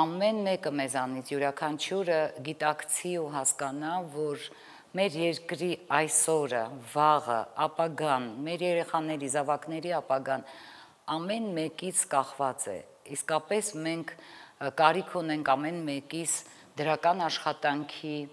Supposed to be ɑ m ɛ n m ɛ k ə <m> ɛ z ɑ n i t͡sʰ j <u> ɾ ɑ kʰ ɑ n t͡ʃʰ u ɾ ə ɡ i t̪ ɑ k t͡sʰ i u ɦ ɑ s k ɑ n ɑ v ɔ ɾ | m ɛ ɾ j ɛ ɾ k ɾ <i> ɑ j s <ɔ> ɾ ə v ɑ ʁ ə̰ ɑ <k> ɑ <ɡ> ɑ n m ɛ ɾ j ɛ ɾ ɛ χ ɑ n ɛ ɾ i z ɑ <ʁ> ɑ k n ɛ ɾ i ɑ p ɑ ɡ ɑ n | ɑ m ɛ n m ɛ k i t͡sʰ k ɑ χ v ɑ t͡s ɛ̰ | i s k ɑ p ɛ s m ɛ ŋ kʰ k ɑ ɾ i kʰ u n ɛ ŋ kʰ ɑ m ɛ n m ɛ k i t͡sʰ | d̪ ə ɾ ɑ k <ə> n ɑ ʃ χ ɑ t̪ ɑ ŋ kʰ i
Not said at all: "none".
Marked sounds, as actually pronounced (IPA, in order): m, u, i, ɔ, p, ɡ, v, ɑ

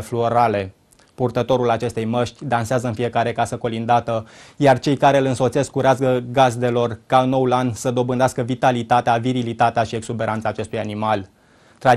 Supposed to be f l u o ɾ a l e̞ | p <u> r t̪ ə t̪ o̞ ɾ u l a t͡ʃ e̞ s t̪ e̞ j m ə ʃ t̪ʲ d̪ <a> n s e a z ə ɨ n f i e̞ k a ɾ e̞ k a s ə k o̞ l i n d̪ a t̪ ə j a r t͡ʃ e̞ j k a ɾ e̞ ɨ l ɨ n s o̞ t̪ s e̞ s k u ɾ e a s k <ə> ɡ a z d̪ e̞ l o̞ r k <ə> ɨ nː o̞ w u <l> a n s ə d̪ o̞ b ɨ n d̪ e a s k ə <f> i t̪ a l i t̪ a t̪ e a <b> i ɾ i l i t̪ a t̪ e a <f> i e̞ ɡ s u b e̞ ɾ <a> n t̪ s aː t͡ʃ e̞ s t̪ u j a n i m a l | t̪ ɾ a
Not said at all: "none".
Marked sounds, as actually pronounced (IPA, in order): u, a, ə, a, l, v, v, ʃ, a

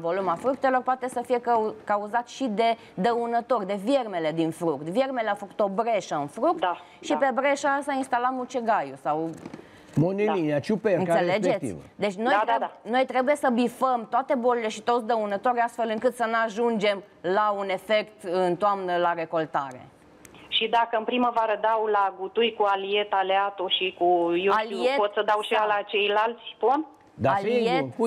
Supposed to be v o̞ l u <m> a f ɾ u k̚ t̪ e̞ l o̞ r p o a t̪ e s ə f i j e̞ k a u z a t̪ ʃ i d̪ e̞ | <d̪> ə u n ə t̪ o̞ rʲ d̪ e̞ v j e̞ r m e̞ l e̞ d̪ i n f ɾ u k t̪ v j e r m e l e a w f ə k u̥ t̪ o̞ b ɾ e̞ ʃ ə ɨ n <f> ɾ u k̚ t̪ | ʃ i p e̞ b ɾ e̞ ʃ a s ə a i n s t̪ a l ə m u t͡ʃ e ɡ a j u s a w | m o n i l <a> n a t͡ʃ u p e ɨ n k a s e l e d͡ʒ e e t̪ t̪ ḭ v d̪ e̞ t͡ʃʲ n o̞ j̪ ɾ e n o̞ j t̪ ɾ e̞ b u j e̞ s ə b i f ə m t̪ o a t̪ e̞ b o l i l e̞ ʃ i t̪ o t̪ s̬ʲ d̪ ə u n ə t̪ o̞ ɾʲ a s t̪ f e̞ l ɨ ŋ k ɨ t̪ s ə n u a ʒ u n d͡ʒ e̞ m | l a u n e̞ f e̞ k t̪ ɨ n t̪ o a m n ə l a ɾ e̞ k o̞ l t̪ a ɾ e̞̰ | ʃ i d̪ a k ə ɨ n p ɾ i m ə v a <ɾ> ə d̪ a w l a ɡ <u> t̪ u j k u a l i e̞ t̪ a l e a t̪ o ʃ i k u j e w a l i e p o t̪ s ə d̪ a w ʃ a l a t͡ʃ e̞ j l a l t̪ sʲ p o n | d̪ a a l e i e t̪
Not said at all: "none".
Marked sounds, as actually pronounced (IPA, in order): m, d̪, f, i, ɾ, u

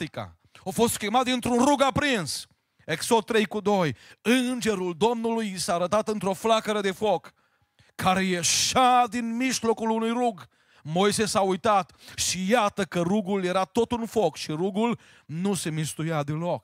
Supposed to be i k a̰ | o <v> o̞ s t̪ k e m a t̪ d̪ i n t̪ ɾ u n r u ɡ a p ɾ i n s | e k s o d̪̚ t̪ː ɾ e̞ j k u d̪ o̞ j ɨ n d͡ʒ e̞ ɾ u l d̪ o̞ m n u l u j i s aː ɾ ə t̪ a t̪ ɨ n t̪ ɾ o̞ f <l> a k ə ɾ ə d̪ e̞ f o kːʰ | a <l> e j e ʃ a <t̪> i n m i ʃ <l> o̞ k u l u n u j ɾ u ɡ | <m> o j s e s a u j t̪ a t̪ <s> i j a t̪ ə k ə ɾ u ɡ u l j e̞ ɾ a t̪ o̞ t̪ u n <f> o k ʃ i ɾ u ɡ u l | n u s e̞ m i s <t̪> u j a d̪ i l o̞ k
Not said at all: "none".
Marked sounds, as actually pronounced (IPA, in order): f, l, ɾ, d̪, l, m, ʃ, f, t̪

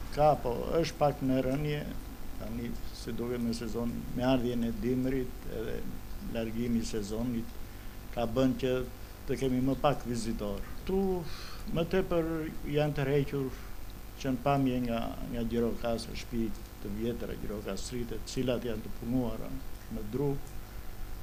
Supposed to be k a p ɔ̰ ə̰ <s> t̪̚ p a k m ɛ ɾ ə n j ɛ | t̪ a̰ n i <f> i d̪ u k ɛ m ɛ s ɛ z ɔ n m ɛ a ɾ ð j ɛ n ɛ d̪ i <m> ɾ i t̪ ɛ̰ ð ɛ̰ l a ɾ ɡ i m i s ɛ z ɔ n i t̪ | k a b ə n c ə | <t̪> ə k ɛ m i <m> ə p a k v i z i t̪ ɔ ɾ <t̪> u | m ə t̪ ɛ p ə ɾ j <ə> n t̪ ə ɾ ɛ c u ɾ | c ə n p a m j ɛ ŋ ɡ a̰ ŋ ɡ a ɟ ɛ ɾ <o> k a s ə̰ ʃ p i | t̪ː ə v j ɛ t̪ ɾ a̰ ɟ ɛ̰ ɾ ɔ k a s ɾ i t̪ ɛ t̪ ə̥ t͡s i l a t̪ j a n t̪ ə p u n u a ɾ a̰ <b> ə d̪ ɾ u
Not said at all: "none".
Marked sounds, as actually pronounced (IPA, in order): ʃ, s, m, t̪, m, t̪, a, ɔ, m

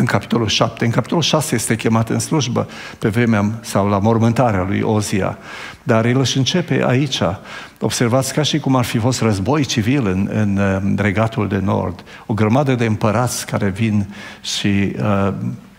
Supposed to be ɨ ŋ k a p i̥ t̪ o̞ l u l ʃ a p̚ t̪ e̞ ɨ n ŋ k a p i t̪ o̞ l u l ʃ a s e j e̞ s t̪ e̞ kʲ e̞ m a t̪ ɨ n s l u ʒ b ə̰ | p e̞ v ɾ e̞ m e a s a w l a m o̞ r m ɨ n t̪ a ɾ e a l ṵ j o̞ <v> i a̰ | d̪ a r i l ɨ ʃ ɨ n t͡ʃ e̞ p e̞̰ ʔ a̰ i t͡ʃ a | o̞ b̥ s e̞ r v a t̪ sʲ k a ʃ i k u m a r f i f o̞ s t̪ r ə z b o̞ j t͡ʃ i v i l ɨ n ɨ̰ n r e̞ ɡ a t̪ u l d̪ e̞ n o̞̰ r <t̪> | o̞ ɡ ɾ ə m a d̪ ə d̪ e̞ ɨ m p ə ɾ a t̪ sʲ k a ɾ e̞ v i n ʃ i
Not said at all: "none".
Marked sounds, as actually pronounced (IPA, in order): z, d̪

